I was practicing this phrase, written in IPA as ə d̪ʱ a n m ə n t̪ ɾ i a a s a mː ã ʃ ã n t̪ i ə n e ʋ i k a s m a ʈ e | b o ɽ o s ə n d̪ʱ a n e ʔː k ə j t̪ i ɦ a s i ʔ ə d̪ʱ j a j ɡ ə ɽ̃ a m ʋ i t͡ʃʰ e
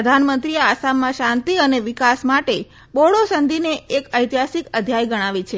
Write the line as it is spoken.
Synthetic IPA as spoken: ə d̪ʱ a n m ə n t̪ ɾ i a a s a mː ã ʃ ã n t̪ i ə n e ʋ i k a s m a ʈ e | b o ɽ o s ə n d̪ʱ i n e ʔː k ə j t̪ i ɦ a s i k ə d̪ʱ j a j ɡ ə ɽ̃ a ʋ i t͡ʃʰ e